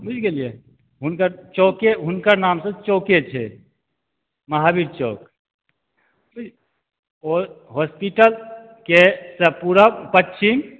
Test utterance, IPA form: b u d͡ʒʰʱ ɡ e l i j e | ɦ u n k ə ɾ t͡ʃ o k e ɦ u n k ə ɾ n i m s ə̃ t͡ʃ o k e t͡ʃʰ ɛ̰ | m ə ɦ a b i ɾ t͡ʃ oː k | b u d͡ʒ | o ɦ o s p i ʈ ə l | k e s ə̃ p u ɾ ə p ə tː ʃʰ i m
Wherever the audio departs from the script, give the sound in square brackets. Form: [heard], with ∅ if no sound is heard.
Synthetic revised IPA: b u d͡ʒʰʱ ɡ e l i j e | ɦ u n k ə ɾ t͡ʃ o k e ɦ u n k ə ɾ n [a] m s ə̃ t͡ʃ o k e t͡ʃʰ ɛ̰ | m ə ɦ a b i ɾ t͡ʃ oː k | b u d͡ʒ | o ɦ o s p i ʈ ə l | k e s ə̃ p u ɾ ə p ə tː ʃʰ i m